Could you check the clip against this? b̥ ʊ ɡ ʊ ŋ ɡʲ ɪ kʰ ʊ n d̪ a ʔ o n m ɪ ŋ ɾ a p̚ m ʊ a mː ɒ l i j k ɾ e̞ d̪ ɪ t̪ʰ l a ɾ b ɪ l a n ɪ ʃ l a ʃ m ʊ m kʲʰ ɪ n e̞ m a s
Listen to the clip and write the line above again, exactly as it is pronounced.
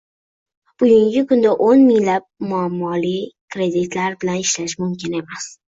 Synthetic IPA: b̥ ʊ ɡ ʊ ŋ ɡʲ ɪ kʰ ʊ n d̪ a ʔ o n m ɪ ŋ l a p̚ m ʊ a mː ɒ l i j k ɾ e̞ d̪ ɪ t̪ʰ l a ɾ b ɪ l a n ɪ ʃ l a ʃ m ʊ m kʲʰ ɪ n e̞ m a s